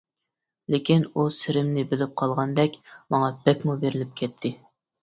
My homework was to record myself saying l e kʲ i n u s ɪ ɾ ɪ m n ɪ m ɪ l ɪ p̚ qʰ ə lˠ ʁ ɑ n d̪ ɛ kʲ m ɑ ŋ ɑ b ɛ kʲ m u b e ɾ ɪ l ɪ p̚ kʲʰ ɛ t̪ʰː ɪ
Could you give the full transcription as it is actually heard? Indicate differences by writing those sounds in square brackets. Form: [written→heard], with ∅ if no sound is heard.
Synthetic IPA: l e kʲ i n u s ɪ ɾ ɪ m n ɪ [m→b] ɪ l ɪ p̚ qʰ [ə→ɑ] lˠ ʁ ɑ n d̪ ɛ kʲ m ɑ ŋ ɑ b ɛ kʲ m u b e ɾ ɪ l ɪ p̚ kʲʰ ɛ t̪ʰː ɪ